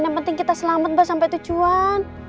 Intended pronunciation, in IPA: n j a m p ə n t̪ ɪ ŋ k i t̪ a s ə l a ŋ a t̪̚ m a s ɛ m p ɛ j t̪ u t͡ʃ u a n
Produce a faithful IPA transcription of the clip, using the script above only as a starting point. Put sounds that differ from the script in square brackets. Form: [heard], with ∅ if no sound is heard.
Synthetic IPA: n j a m p ə n t̪ ɪ ŋ k i t̪ a s ə l a [m] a t̪̚ [b] a s [a] m p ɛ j t̪ u t͡ʃ u a n